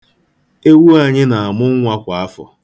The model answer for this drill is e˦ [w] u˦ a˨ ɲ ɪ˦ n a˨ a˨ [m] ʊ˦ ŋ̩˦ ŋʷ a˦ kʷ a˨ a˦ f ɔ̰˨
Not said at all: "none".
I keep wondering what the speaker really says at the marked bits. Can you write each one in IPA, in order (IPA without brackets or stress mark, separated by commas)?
w, m